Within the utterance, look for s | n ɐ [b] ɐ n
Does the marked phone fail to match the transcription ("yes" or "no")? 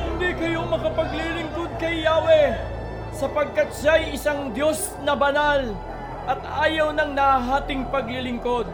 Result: no